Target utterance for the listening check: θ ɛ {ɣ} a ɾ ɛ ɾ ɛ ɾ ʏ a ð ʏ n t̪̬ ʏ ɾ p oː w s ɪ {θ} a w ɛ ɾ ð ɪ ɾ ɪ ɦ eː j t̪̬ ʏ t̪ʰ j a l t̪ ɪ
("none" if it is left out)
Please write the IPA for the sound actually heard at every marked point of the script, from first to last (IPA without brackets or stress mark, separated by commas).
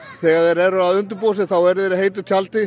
ɣ, θ